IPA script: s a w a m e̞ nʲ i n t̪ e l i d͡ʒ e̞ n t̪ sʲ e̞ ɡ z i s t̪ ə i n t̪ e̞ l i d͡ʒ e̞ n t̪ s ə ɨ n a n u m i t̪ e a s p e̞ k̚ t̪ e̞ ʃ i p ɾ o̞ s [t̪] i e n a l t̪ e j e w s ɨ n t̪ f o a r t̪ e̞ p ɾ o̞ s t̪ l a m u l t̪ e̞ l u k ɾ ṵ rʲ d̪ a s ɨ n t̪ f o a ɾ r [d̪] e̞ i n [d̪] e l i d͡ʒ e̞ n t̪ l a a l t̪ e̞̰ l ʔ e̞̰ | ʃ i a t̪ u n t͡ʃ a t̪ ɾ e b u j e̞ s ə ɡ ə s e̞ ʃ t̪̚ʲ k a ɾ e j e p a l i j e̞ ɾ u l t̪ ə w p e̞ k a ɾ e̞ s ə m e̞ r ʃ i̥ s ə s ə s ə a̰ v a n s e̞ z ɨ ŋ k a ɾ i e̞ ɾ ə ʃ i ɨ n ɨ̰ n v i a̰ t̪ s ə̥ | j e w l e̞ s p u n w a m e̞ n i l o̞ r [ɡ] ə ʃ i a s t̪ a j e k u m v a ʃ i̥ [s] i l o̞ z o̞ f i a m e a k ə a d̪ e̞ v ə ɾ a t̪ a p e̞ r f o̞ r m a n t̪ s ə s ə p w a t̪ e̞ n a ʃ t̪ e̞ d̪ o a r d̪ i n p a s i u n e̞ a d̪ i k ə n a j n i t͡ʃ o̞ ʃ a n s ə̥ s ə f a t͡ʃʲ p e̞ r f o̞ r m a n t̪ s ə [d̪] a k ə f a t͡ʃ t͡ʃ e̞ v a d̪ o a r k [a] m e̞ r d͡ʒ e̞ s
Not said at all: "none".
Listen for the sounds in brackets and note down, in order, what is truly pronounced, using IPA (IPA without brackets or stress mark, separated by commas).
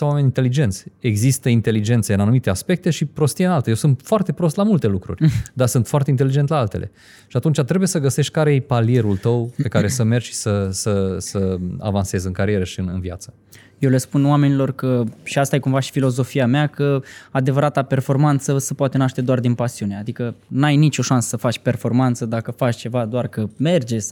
t̪, t̪, t̪, k, f, d̪, ə